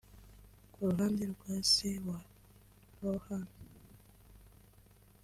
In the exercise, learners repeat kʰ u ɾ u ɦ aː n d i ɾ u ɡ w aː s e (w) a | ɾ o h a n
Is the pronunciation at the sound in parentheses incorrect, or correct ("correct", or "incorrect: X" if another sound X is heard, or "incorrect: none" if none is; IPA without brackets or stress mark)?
correct